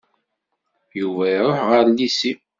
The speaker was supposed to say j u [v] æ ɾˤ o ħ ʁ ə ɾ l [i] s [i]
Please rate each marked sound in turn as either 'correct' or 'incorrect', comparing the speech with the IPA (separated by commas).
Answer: correct, correct, correct